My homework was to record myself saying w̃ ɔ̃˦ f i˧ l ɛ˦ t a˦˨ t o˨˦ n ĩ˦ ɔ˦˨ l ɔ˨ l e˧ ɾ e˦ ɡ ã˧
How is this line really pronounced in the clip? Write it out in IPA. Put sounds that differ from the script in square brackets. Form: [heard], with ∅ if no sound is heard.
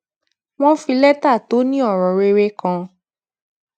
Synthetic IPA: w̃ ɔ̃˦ f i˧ l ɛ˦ t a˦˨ t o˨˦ n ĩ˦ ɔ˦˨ [ɾ] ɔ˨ [ɾ] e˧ ɾ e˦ [k] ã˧